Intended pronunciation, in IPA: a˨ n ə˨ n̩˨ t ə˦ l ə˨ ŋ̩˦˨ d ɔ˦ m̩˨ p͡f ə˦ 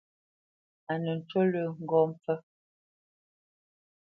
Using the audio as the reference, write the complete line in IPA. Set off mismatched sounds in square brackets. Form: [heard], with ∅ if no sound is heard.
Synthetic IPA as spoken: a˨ n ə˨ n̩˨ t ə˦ l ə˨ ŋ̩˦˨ [ɡ] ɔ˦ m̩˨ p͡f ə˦